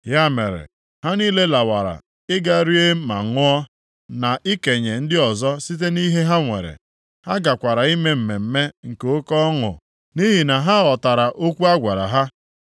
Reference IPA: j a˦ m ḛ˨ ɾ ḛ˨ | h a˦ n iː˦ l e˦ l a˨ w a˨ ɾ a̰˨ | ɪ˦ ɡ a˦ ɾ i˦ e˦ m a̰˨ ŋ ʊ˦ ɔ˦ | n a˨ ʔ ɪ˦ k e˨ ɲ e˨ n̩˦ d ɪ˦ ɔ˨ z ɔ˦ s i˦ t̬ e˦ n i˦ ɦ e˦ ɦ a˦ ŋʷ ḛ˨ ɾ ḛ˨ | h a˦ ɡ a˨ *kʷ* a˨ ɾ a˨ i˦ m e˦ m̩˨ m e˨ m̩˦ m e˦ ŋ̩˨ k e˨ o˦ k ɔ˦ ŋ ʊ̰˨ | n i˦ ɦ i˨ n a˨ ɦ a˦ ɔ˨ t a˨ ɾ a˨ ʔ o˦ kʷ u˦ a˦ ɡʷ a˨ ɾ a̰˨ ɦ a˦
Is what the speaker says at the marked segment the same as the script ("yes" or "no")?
yes